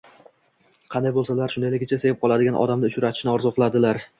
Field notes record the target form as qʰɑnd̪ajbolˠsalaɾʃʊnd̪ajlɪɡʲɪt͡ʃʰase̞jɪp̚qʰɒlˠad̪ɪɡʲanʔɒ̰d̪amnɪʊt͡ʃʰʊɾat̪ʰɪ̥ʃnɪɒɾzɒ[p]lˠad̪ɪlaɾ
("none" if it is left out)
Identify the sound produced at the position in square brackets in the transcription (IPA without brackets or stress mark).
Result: q